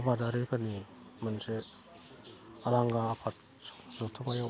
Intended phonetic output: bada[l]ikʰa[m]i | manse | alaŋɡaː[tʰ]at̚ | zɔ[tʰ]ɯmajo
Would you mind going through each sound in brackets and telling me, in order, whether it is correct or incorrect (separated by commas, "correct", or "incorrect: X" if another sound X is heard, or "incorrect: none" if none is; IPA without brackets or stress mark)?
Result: incorrect: ɾ, incorrect: n, incorrect: pʰ, correct